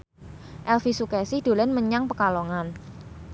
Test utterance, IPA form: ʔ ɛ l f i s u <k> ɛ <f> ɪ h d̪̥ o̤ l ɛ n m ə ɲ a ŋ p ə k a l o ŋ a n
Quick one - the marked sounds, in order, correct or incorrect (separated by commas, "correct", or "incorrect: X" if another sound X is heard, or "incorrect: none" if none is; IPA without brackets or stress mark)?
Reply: correct, incorrect: s